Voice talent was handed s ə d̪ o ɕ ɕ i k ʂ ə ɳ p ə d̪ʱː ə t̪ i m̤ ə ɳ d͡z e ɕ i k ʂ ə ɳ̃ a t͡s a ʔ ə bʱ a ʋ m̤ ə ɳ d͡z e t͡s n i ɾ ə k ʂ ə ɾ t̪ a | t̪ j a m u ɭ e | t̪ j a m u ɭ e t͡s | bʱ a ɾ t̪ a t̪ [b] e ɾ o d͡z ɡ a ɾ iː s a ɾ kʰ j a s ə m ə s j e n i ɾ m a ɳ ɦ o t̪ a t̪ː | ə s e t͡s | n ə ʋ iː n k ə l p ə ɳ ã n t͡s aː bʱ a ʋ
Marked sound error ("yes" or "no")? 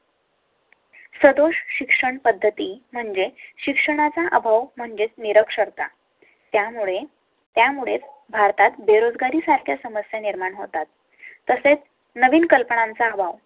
no